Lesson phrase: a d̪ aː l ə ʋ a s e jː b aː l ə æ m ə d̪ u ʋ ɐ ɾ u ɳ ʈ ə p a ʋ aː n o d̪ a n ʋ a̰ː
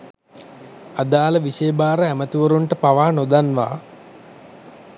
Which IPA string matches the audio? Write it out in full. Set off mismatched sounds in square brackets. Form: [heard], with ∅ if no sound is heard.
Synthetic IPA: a d̪ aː l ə ʋ [i] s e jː b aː [ɾ] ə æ m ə [t̪] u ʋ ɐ ɾ u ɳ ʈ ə p a ʋ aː n o d̪ a n ʋ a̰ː